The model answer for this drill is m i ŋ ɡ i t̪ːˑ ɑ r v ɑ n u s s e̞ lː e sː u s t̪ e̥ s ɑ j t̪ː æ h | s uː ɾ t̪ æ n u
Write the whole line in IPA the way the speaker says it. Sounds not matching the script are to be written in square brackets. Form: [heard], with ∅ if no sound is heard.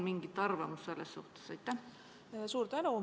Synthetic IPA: m i ŋ ɡ i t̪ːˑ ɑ r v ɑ [m] u s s e̞ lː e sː u [h] t̪ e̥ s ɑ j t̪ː æ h | s uː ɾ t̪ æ n u